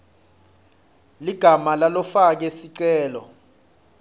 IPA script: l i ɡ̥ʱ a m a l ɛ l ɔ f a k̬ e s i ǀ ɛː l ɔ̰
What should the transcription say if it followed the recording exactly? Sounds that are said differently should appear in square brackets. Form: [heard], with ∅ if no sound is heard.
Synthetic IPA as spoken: l i ɡ̥ʱ a m a l [a] l ɔ f a k̬ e s i ǀ ɛː l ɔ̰